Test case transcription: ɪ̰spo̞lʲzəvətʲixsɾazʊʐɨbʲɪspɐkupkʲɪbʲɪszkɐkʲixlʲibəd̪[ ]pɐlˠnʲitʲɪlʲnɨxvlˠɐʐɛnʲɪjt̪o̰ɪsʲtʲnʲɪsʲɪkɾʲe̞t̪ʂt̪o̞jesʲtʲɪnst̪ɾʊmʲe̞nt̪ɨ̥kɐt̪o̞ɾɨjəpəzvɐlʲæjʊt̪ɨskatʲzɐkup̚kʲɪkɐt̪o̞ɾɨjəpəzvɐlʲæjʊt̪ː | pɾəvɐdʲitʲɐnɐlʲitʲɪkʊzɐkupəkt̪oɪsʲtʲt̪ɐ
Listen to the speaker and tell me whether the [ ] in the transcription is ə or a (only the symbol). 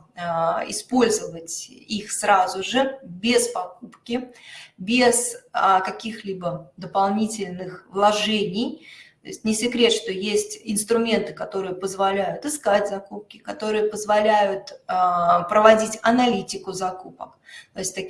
ə